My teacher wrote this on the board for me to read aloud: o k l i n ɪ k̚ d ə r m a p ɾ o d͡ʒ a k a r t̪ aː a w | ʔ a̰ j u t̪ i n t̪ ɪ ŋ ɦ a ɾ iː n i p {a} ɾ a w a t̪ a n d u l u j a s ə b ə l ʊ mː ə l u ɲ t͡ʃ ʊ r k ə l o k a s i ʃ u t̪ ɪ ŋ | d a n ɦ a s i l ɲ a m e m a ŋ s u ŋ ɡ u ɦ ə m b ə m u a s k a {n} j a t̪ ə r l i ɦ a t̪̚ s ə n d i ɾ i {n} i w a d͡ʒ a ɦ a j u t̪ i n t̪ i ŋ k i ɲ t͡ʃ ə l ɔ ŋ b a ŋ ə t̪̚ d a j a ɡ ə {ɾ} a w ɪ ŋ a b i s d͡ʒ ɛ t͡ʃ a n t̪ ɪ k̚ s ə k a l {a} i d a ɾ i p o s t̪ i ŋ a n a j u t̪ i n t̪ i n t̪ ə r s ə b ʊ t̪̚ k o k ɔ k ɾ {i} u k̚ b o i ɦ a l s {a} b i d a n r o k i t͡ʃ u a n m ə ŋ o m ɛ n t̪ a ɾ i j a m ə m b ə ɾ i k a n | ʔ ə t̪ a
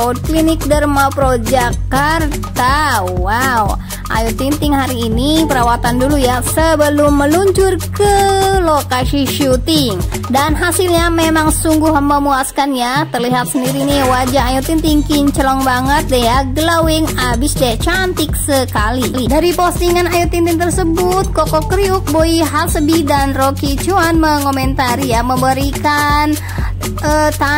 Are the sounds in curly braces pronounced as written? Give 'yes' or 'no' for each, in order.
no, yes, yes, no, no, yes, no

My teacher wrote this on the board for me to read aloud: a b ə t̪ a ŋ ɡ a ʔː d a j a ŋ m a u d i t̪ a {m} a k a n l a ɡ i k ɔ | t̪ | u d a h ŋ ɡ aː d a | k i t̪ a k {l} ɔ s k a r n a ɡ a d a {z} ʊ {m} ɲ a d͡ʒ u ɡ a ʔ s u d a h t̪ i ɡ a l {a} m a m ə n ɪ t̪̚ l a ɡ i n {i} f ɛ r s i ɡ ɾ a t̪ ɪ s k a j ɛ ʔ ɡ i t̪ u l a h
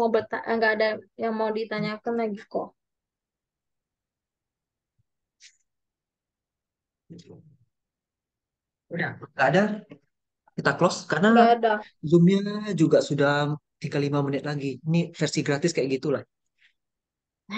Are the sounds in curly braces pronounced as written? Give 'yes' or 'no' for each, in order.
no, yes, yes, yes, no, yes

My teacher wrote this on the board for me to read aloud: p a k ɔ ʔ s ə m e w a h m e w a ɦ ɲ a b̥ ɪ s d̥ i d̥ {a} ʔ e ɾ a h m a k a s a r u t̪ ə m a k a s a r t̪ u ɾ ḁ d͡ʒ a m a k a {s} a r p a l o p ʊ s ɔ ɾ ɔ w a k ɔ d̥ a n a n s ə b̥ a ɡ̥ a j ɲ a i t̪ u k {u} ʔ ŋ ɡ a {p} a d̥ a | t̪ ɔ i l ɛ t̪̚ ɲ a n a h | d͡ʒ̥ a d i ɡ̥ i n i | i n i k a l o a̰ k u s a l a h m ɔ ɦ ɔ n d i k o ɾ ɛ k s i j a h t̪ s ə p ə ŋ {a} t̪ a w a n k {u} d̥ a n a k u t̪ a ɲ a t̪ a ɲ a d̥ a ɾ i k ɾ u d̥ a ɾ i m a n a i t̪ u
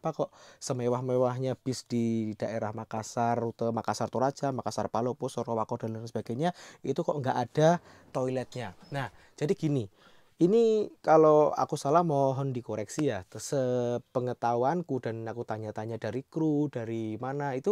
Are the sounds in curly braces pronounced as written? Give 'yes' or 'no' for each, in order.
yes, yes, no, no, no, yes

